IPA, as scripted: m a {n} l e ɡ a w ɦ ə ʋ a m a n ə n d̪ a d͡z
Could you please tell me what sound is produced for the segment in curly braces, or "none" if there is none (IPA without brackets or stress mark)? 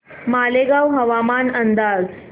none